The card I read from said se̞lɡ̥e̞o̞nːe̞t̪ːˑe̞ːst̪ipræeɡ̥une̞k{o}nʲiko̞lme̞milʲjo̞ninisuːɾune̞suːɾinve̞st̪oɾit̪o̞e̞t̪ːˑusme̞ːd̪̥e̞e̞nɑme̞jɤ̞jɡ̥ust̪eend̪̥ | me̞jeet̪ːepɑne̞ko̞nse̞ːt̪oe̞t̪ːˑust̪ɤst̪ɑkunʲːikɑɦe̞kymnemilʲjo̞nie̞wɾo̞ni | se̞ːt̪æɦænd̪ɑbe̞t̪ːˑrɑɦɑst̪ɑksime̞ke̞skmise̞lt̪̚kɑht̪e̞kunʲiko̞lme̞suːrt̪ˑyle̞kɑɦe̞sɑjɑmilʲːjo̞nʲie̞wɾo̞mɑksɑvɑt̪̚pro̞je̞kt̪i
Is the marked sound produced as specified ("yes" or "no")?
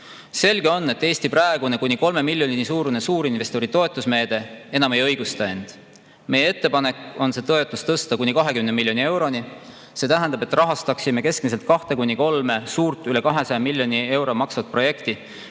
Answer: no